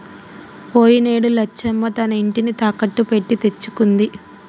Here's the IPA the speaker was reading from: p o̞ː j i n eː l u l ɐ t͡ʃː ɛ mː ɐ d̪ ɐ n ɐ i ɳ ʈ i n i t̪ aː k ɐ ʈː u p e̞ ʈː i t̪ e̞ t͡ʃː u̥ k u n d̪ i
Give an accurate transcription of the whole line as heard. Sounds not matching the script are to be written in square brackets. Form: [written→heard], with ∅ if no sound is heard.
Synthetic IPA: p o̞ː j i n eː [l→ɽ] u l ɐ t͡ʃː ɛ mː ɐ [d̪→t̪] ɐ n ɐ i ɳ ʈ i n i t̪ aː k ɐ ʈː u p e̞ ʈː i t̪ e̞ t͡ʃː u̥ k u n d̪ i